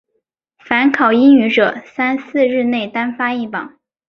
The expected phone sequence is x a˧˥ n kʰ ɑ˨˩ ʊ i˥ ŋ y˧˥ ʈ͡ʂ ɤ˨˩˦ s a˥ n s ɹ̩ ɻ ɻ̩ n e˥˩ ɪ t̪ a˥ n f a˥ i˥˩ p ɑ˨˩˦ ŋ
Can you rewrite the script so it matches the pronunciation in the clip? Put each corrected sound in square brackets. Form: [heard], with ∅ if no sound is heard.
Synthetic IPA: [f] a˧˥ n kʰ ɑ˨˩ ʊ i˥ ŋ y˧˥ ʈ͡ʂ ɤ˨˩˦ s a˥ n s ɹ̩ ɻ ɻ̩ n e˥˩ ɪ t̪ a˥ n f a˥ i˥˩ p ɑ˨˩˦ ŋ